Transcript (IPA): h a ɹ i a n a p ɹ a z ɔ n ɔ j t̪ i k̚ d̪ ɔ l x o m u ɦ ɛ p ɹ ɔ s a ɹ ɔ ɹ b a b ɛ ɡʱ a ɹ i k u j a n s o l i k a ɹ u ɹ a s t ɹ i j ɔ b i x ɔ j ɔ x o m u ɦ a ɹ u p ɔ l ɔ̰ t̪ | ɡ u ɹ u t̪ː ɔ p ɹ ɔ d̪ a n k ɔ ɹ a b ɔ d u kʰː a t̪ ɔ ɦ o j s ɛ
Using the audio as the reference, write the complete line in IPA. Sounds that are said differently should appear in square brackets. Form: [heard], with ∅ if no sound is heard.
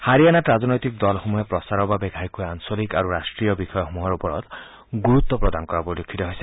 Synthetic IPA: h a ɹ i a n a [t] ɹ a z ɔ n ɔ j t̪ i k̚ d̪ ɔ l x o m u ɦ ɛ p ɹ ɔ s a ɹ ɔ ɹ b a b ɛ ɡʱ a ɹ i k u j a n s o l i k a ɹ u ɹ a s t ɹ i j ɔ b i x ɔ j ɔ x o m u ɦ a ɹ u p ɔ [ɹ] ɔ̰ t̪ | ɡ u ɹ u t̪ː ɔ p ɹ ɔ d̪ a n k ɔ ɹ a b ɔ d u kʰː [i] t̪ ɔ ɦ o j s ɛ